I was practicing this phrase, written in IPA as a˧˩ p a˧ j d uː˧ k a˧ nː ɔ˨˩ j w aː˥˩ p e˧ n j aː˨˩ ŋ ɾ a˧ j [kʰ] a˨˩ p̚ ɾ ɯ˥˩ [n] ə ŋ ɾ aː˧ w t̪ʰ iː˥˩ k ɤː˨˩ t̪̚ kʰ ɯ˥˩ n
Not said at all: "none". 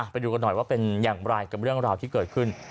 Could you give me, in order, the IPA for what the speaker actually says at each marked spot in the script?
k, none

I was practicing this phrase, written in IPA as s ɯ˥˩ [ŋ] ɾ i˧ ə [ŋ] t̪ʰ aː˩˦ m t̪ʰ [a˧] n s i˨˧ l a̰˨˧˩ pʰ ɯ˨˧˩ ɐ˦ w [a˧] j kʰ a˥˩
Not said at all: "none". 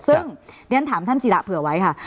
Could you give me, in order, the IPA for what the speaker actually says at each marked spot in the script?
ŋ, n, a˥˩, a˦˥

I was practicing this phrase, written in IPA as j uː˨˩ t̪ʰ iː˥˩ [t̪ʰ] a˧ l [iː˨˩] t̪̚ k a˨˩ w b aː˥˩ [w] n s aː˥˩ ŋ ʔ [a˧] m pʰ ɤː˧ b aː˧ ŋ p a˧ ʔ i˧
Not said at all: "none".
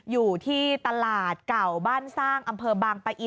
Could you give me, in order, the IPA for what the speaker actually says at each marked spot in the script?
t̪, aː˨˩, none, a˧

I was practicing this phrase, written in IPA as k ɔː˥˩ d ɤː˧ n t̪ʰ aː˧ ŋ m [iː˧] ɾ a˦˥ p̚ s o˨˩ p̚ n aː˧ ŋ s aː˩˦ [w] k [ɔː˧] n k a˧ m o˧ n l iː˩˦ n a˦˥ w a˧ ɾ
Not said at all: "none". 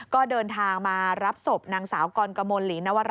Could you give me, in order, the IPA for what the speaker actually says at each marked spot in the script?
aː˧, w, ɔː˧

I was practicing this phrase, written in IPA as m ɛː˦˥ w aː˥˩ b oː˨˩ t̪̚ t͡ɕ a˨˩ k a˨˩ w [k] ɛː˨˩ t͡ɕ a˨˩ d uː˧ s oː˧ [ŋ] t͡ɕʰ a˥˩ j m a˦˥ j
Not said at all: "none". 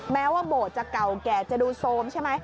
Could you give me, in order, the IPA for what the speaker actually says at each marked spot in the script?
k, m

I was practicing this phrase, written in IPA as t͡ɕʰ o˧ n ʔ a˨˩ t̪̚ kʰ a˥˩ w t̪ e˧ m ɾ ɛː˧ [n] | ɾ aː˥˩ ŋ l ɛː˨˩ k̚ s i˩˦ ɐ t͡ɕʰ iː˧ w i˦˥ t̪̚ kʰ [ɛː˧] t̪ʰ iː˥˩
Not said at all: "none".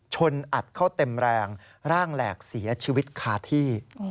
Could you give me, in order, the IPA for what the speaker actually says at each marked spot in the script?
ŋ, aː˧

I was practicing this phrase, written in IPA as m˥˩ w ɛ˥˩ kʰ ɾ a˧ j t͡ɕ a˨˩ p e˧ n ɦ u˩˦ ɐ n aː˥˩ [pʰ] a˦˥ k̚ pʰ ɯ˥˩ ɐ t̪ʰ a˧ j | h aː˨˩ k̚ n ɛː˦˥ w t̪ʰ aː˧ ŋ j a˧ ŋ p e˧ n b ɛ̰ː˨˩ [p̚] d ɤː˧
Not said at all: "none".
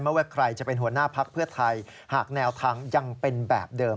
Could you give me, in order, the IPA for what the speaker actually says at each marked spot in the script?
pʰ, p̚

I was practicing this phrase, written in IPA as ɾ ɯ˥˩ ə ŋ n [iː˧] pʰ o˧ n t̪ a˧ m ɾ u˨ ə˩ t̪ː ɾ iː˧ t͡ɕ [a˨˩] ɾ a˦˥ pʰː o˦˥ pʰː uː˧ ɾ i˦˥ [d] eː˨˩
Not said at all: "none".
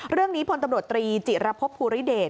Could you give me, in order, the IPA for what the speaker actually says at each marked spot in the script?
iː˦˥, i˨˩, d

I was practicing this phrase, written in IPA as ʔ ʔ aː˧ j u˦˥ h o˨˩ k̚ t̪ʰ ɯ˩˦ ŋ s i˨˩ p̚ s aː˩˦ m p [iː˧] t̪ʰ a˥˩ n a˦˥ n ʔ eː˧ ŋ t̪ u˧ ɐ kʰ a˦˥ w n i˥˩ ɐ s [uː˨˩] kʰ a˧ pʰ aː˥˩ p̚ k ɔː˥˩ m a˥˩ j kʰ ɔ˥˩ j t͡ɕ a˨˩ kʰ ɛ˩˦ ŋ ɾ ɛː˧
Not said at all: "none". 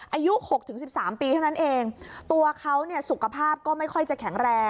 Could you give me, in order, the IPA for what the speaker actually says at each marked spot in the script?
iː˧, u˨˩

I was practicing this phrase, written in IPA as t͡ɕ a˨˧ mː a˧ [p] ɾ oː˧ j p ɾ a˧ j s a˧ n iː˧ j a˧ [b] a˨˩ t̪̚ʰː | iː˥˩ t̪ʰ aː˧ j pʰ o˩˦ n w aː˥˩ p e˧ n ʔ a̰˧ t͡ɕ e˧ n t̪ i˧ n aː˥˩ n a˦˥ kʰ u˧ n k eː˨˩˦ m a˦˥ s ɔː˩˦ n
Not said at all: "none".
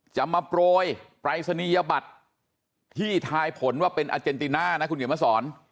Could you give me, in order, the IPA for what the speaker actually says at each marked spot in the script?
p, b

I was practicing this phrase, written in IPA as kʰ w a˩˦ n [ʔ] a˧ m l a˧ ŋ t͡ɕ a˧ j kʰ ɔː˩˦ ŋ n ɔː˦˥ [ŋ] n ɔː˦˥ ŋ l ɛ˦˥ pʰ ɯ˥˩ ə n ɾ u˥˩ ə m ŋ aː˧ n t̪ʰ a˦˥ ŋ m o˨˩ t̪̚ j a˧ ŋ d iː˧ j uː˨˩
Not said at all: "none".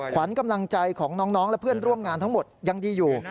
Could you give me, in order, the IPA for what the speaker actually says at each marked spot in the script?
k, ŋ

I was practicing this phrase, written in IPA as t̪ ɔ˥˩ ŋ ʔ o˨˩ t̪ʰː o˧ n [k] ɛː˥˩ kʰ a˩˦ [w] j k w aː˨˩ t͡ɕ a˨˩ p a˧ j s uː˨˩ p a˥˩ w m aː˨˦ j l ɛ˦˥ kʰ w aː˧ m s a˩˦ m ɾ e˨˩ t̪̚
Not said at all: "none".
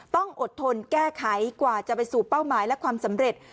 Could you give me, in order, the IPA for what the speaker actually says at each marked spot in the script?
k, none

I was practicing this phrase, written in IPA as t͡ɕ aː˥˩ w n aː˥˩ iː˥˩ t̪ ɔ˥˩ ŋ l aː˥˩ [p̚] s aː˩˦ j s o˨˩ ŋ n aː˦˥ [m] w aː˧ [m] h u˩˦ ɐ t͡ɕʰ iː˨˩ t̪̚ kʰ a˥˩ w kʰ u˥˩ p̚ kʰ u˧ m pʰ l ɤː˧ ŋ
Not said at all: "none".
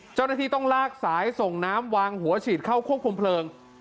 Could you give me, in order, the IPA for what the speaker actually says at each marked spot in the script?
k̚, m, ŋ

